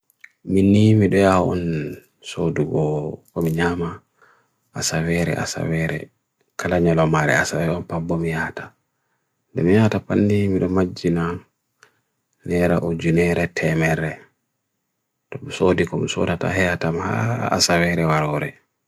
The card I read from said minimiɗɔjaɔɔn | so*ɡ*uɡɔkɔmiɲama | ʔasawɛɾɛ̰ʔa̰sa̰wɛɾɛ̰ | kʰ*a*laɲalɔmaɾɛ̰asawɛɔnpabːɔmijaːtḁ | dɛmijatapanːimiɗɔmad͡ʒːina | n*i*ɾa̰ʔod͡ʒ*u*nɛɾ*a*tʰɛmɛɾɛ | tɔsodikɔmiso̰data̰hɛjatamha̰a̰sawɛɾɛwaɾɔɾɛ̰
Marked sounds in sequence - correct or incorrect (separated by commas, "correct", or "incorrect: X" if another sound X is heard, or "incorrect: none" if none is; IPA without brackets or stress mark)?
incorrect: d, correct, incorrect: ɛ, correct, incorrect: ɛ